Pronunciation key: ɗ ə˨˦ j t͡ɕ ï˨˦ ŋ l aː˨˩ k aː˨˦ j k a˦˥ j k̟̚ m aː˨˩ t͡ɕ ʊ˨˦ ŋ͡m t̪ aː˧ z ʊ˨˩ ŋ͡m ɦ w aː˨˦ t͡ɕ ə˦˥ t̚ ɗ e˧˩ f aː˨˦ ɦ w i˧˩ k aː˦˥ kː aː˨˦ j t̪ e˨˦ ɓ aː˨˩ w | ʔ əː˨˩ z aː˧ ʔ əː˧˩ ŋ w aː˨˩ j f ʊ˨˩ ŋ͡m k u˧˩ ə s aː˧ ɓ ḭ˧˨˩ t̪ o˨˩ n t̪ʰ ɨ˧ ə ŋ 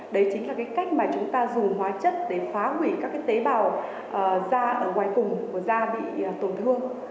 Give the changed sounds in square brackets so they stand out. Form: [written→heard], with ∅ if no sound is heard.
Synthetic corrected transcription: ɗ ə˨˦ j t͡ɕ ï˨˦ ŋ l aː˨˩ k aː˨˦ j k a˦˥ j k̟̚ m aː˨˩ t͡ɕ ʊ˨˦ ŋ͡m t̪ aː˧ z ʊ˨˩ ŋ͡m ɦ w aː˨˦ t͡ɕ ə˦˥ t̚ ɗ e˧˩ f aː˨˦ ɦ w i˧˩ k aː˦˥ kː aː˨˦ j t̪ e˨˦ ɓ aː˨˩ w | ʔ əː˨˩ z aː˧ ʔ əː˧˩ ŋ w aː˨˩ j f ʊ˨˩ ŋ͡m k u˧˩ ə [s→z] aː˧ ɓ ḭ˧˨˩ t̪ o˨˩ n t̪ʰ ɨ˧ ə ŋ